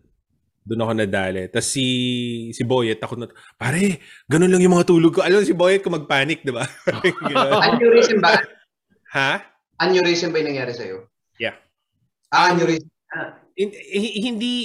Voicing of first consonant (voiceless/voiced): voiced